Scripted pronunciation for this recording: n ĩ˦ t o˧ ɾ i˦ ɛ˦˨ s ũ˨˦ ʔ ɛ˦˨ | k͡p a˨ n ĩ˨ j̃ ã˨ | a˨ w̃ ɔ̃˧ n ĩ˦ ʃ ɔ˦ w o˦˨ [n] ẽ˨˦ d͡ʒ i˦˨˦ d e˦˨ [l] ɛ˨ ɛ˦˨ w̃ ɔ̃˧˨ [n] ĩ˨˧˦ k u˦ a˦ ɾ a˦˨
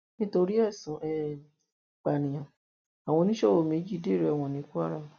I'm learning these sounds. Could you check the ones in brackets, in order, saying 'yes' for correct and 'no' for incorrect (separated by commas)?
no, no, yes